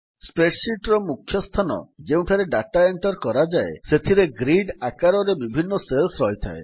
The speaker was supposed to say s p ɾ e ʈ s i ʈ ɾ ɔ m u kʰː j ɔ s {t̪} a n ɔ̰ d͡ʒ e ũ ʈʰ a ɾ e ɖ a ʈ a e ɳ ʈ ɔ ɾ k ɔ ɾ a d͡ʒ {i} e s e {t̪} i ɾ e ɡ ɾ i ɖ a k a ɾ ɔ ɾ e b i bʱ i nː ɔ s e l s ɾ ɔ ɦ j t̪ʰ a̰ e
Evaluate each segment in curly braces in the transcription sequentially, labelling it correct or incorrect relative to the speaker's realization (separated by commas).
incorrect, incorrect, incorrect